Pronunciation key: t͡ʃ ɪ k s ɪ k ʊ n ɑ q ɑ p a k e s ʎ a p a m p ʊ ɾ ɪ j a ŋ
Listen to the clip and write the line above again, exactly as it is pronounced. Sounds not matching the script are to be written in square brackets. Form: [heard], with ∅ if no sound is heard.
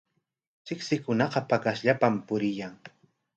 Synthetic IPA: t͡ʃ ɪ k s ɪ k ʊ n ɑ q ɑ p a k [a] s ʎ a p a m p ʊ ɾ ɪ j a ŋ

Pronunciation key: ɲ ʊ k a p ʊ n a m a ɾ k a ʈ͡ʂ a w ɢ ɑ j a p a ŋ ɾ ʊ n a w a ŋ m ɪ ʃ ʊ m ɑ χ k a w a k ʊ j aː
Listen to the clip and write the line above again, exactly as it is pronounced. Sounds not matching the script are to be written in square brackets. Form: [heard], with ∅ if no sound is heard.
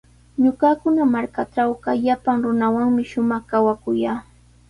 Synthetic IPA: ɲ ʊ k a [k] ʊ n a m a ɾ k a ʈ͡ʂ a w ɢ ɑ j a p a ŋ ɾ ʊ n a w a ŋ m ɪ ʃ ʊ m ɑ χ k a w a k ʊ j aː

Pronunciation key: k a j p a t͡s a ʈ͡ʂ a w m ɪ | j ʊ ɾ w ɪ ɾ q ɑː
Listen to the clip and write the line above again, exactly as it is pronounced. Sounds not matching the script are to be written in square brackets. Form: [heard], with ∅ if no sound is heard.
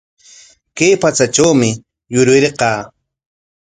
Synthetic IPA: k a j p a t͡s a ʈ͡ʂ a w m ɪ | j ʊ ɾ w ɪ ɾ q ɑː

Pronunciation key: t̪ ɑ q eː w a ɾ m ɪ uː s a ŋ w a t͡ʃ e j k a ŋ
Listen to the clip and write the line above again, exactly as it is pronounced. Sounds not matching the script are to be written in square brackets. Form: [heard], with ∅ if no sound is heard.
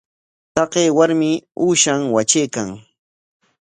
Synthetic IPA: t̪ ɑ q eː w a ɾ m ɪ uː [ʃ] a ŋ w a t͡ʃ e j k a ŋ

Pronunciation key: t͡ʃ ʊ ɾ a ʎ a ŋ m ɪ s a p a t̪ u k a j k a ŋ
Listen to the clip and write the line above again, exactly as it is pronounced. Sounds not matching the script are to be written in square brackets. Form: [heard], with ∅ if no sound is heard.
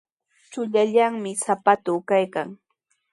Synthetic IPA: t͡ʃ ʊ [ʎ] a ʎ a ŋ m ɪ s a p a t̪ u k a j k a ŋ

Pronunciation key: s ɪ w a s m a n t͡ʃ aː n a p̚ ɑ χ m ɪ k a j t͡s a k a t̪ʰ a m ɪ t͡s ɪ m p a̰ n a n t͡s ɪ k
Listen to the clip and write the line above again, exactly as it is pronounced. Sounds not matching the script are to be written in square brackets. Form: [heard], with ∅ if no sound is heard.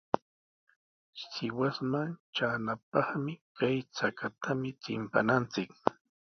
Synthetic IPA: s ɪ w a s m a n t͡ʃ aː n a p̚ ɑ χ m ɪ k a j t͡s a k a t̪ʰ a m ɪ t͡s ɪ m p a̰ n a n t͡s ɪ k

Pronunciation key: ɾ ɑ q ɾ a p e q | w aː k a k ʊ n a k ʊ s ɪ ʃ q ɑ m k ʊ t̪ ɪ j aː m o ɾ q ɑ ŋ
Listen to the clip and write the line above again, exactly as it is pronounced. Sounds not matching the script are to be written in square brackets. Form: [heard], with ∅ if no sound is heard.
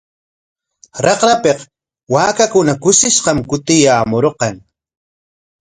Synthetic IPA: ɾ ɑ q ɾ a p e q | w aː k a k ʊ n a k ʊ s ɪ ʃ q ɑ m k ʊ t̪ ɪ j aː m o ɾ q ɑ ŋ

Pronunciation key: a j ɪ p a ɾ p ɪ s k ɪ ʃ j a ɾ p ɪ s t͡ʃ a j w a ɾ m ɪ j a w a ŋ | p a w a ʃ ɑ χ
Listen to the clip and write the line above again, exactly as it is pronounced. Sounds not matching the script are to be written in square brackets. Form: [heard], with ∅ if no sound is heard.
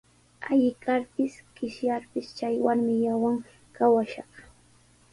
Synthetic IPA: a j ɪ [k] a ɾ p ɪ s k ɪ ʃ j a ɾ p ɪ s t͡ʃ a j w a ɾ m ɪ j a w a ŋ | [k] a w a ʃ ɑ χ

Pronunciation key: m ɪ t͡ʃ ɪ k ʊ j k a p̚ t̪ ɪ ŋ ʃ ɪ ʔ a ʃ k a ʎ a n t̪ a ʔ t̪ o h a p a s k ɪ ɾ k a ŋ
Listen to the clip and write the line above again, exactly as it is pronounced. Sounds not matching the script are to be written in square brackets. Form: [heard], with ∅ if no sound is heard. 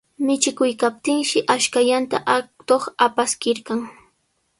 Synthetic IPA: m ɪ t͡ʃ ɪ k ʊ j k a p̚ t̪ ɪ ŋ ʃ ɪ ʔ a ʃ k a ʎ a n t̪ a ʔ t̪ o [χ] a p a s k ɪ ɾ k a ŋ

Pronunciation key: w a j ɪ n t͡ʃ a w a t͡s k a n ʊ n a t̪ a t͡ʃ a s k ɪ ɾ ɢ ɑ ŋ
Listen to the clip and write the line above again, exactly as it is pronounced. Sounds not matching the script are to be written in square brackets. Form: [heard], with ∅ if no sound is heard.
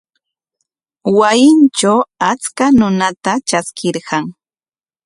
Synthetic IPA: w a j ɪ n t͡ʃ a w a t͡s k a n ʊ n a t̪ a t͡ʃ a s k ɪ ɾ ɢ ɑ ŋ

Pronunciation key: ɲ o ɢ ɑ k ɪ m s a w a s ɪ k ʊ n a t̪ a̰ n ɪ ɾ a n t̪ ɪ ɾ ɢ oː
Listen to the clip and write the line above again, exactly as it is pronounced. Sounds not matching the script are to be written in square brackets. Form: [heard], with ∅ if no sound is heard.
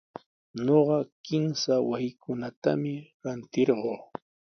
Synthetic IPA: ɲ o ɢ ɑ k ɪ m s a w a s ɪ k ʊ n a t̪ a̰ [m] ɪ ɾ a n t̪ ɪ ɾ ɢ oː

